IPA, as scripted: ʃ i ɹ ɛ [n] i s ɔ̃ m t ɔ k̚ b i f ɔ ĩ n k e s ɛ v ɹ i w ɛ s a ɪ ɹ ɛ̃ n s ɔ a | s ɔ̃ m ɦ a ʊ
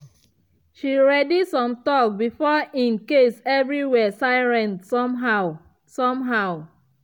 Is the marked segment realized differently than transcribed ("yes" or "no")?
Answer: yes